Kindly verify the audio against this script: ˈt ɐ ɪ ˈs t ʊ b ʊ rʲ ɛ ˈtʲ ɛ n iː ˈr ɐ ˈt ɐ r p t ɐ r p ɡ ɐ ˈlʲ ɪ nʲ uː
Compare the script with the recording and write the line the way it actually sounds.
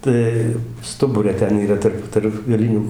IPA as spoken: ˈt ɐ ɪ ˈs t ʊ b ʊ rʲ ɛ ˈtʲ ɛ n iː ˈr ɐ ˈt ɐ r p t ɐ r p ɡ ɐ ˈlʲ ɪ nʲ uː